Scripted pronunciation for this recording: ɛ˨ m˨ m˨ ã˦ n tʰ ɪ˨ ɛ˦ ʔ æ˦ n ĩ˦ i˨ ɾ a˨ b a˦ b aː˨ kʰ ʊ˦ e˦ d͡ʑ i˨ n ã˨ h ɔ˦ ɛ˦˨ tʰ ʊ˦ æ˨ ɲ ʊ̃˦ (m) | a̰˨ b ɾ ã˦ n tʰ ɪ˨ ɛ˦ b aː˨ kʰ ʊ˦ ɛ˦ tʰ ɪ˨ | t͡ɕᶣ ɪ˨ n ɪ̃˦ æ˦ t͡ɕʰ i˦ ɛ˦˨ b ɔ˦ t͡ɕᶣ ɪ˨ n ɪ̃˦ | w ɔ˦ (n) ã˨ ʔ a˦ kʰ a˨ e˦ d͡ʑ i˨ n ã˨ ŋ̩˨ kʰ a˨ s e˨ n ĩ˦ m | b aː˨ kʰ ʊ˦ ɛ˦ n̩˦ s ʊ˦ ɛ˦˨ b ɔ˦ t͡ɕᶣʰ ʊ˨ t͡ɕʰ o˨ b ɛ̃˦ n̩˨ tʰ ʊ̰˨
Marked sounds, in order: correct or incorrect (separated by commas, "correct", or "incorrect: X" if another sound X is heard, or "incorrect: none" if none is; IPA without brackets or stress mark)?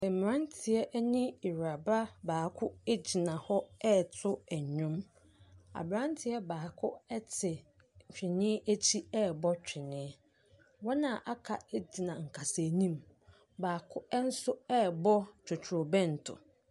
correct, correct